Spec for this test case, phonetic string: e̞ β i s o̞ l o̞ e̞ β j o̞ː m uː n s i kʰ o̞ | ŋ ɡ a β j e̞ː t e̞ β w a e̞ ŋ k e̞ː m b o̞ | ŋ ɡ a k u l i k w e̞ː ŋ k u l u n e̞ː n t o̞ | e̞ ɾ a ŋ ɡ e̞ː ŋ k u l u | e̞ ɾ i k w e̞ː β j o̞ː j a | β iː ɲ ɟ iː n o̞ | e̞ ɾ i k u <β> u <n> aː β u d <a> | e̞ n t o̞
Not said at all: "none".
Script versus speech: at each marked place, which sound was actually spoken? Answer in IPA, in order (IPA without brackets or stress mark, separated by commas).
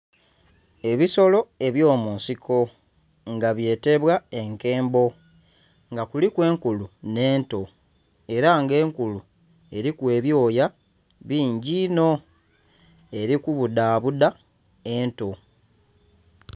β, d, a